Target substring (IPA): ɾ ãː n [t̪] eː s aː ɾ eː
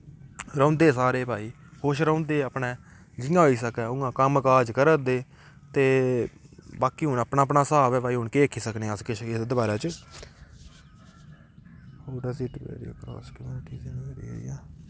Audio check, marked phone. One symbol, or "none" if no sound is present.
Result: d̪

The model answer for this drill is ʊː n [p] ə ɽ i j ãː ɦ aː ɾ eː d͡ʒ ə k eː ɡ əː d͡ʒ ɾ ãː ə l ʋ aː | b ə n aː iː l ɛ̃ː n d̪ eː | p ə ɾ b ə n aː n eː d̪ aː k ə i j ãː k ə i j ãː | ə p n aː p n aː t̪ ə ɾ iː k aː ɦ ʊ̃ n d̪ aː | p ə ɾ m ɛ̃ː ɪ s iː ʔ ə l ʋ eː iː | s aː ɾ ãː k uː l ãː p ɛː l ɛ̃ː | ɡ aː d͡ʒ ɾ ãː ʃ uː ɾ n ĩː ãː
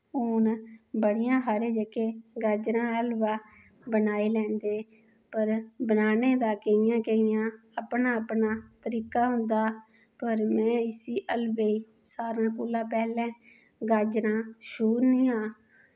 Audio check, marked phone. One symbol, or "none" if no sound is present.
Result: b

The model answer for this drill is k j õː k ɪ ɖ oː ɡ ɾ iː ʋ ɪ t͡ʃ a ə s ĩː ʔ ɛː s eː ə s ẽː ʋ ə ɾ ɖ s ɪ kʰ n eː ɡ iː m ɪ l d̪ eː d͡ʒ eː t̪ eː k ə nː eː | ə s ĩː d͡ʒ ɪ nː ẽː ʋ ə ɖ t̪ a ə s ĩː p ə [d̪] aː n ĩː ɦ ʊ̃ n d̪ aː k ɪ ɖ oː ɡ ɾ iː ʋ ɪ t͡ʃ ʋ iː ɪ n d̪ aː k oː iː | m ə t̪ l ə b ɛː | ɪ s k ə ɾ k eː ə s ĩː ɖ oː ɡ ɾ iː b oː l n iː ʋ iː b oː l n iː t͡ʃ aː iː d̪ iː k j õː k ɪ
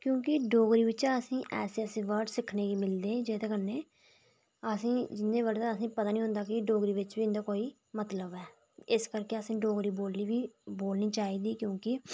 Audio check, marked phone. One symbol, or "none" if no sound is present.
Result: t̪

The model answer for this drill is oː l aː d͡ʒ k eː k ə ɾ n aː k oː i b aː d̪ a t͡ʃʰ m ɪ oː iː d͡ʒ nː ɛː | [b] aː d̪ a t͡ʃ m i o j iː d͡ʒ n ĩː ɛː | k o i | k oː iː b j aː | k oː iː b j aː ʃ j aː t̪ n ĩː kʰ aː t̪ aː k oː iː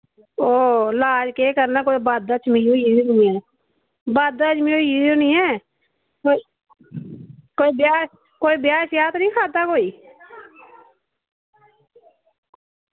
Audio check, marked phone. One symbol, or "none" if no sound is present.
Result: b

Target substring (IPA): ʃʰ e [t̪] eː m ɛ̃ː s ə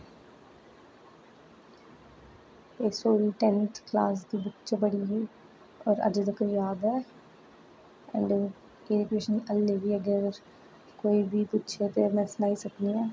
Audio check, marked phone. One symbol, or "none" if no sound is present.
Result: t̪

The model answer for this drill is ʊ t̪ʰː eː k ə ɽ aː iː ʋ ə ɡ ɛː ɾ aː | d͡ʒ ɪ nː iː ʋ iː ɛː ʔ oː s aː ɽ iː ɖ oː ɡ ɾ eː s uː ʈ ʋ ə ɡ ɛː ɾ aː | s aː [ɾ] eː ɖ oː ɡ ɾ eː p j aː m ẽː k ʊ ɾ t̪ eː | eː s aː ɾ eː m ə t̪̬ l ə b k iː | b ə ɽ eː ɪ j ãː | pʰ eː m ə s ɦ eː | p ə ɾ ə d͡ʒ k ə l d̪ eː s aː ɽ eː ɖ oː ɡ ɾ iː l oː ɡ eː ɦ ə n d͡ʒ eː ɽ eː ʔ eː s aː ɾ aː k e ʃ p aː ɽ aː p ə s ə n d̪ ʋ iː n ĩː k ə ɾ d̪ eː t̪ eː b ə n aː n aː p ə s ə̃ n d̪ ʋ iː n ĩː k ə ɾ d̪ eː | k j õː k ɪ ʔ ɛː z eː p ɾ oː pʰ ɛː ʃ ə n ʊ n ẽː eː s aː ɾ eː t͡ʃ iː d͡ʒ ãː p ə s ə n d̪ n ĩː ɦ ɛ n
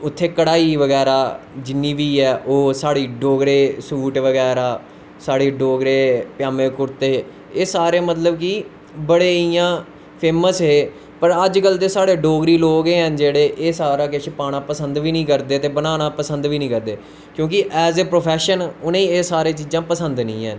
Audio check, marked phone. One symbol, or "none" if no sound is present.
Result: ɽ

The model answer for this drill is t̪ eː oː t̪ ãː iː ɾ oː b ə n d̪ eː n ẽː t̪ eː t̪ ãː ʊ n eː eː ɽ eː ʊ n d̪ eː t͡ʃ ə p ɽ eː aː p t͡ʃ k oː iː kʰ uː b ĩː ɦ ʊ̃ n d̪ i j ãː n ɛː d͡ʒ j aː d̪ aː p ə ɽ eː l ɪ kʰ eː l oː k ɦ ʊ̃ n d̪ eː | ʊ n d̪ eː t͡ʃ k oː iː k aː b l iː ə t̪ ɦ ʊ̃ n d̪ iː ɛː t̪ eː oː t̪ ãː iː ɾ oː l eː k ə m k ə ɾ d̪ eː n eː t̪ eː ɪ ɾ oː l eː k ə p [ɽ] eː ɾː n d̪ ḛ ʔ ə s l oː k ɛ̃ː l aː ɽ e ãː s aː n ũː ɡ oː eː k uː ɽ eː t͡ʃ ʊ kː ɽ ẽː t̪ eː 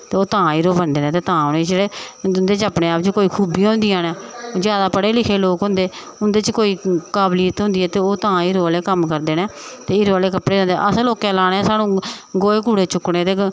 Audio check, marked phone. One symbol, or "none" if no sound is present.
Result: ɽ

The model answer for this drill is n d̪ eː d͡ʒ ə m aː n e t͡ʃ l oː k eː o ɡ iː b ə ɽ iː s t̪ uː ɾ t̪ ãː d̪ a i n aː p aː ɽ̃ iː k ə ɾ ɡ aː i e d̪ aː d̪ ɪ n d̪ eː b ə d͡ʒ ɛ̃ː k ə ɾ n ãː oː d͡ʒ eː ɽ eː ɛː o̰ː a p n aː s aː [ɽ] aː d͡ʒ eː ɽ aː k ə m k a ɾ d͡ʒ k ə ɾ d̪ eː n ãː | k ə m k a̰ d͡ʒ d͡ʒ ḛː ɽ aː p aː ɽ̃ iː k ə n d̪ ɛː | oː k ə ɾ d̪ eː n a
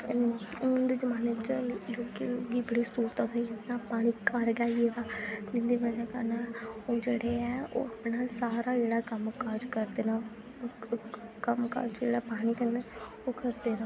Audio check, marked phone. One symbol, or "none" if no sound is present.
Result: ɾ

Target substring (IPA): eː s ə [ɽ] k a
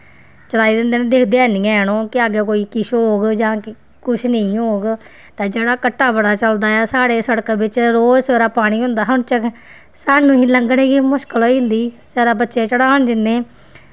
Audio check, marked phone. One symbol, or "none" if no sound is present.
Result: ɽ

